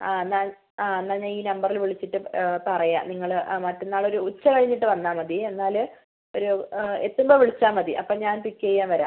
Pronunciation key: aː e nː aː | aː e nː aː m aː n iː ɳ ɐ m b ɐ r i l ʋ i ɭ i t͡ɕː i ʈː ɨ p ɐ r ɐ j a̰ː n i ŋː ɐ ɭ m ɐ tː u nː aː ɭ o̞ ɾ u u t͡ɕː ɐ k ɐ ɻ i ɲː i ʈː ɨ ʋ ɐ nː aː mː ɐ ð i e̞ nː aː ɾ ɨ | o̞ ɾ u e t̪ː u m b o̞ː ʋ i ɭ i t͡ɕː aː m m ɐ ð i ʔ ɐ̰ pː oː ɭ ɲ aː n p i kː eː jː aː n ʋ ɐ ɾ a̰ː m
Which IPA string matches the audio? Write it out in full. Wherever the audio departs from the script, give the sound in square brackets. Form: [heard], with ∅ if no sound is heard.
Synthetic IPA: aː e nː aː | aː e nː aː [ɲ] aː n iː [n] ɐ m b ɐ r i l ʋ i ɭ i t͡ɕː i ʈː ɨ p ɐ r ɐ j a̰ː n i ŋː ɐ ɭ m ɐ tː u nː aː ɭ o̞ ɾ u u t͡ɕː ɐ k ɐ ɻ i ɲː i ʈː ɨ ʋ ɐ nː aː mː ɐ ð i e̞ nː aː [l] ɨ | o̞ ɾ u e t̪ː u m b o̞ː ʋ i ɭ i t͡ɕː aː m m ɐ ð i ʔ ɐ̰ pː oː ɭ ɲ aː n p i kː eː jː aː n ʋ ɐ ɾ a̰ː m